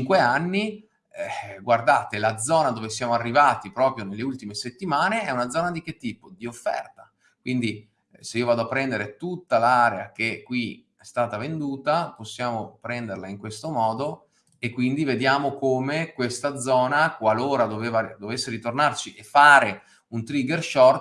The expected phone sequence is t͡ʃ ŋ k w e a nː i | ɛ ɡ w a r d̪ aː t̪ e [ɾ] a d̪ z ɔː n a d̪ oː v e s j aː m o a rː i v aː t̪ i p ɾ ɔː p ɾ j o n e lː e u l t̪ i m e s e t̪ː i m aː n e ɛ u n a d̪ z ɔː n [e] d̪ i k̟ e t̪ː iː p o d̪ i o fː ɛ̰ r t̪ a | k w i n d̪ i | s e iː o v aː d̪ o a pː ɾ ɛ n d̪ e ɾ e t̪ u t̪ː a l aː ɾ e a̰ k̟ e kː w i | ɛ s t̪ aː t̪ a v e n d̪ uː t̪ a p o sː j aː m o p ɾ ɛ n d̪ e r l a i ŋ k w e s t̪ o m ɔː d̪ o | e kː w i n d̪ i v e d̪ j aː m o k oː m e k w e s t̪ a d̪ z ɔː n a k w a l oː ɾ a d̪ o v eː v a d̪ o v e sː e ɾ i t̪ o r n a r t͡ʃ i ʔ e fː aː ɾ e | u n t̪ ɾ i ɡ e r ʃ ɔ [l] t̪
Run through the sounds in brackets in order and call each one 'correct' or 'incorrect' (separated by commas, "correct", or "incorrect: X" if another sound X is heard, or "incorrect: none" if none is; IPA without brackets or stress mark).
incorrect: l, incorrect: a, incorrect: r